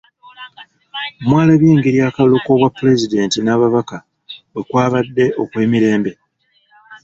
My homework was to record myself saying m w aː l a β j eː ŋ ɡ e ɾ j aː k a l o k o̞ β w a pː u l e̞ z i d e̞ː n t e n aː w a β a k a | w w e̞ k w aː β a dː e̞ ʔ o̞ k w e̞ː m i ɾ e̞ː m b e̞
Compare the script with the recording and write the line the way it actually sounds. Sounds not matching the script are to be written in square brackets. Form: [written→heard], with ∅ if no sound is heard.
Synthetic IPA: m w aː l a β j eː ŋ ɡ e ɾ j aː k a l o k o̞ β w a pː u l e̞ z i d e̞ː n t [e→i] n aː [w→β] a β a k a | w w e̞ k w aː β a dː e̞ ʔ o̞ k w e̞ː m i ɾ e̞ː m b e̞